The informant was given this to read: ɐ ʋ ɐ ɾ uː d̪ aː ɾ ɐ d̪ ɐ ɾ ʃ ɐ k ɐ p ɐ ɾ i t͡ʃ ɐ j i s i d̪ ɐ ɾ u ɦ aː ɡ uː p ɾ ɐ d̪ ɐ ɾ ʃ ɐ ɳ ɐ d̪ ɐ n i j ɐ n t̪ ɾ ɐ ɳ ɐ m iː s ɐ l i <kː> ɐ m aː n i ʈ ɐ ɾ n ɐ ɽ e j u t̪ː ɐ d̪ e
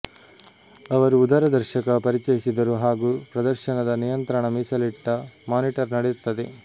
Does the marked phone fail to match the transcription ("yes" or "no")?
yes